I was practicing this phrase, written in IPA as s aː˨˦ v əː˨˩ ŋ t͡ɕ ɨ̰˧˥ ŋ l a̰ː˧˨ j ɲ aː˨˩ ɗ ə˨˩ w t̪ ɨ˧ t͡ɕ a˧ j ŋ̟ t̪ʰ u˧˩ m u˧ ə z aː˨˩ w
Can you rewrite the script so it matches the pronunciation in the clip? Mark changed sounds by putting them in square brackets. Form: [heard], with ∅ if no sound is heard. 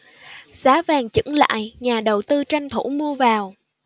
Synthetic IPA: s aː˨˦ v [aː˨˩] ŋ t͡ɕ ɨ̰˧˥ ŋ l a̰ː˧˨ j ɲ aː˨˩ ɗ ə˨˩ w t̪ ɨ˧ t͡ɕ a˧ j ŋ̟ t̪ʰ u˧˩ m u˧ ə [v] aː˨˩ w